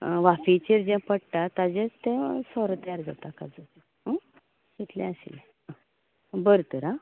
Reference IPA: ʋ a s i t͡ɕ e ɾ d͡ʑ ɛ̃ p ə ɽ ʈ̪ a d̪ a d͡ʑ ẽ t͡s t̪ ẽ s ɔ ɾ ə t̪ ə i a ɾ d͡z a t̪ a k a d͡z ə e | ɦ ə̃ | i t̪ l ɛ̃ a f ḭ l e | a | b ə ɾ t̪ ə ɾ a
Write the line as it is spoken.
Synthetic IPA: ʋ a f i t͡ɕ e ɾ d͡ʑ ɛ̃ p ə ɽ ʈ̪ a t̪ a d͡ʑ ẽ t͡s t̪ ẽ s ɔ ɾ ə t̪ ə j a ɾ d͡z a t̪ a k a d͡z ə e | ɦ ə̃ | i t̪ l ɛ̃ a ɕ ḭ l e | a | b ə ɾ t̪ ə ɾ a